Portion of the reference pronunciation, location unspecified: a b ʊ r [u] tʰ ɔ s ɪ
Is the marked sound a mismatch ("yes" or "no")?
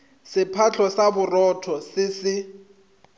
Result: yes